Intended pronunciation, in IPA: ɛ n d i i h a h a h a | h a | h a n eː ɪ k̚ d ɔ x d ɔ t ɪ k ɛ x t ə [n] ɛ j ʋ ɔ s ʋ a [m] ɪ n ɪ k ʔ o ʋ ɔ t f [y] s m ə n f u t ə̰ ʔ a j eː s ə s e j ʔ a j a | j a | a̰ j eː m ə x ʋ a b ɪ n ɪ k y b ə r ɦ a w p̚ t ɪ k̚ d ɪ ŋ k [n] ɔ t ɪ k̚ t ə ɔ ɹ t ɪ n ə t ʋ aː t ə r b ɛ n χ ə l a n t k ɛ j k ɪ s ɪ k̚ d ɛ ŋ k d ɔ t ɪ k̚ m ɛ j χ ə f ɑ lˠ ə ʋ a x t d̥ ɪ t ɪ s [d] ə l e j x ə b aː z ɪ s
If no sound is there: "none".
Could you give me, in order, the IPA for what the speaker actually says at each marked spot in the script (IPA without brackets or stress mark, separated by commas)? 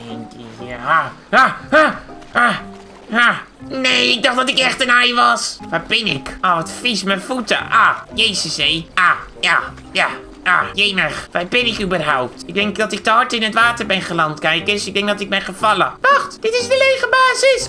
n, b, i, d, d